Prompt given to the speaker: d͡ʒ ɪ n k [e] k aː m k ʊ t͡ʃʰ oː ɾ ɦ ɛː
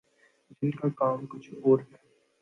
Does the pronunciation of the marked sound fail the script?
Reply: yes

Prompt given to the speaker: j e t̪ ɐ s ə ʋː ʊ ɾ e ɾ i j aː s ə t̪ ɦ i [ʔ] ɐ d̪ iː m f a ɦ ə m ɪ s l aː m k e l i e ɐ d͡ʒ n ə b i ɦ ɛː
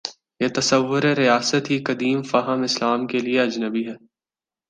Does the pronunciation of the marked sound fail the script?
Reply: yes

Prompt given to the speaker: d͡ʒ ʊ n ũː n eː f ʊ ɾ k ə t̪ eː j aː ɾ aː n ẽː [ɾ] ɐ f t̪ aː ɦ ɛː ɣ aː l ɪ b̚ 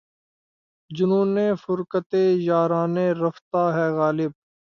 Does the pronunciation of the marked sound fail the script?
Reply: no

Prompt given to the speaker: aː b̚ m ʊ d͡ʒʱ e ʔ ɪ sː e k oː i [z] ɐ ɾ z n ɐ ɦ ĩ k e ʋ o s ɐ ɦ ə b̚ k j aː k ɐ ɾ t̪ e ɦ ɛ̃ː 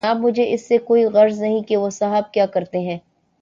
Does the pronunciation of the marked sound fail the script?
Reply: yes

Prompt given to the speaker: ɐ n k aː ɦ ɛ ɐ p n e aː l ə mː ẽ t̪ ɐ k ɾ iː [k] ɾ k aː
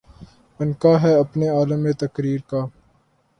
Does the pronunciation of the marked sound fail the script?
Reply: yes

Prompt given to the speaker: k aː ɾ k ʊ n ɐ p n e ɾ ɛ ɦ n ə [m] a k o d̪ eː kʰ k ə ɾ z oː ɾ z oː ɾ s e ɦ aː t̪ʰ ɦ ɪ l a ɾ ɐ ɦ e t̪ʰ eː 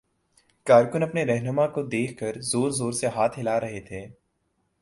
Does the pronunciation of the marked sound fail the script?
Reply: no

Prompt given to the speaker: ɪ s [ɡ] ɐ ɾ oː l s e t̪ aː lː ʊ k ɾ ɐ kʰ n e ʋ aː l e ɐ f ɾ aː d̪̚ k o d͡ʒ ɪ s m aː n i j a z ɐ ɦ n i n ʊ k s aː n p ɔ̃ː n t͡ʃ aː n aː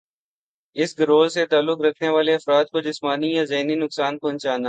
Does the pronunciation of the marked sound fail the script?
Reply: no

